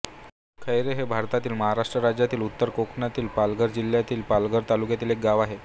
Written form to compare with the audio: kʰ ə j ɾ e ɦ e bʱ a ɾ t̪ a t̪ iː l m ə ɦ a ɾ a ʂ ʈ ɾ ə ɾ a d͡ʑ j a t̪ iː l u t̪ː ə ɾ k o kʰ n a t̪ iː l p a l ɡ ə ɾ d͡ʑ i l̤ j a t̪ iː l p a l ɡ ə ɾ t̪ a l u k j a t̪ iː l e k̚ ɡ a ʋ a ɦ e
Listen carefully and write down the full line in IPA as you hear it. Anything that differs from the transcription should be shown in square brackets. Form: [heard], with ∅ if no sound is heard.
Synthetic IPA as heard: kʰ ə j ɾ e ɦ e bʱ a ɾ t̪ a t̪ iː l m ə ɦ a ɾ a ʂ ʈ ɾ ə ɾ a d͡ʑ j a t̪ iː l u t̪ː ə ɾ k o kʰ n a t̪ iː l p a l ɡ ə ɾ d͡ʑ i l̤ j a t̪ iː l p a l ɡ ə ɾ t̪ a l u k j a t̪ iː l e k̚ ɡ a ʋ a ɦ e